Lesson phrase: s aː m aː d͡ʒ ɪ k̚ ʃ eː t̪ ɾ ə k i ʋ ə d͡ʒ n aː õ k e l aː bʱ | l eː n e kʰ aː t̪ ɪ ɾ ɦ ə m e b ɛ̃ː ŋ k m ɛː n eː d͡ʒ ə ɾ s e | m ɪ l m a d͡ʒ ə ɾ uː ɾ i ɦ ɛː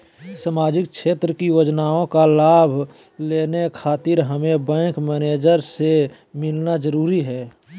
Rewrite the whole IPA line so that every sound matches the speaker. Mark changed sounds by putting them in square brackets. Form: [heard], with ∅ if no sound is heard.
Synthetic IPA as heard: s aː m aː d͡ʒ ɪ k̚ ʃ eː t̪ ɾ ə k i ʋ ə d͡ʒ n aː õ k [a] l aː bʱ | l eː n e kʰ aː t̪ ɪ ɾ ɦ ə m e b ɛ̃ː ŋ k m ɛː n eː d͡ʒ ə ɾ s e | m ɪ l [n] a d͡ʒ ə ɾ uː ɾ i ɦ ɛː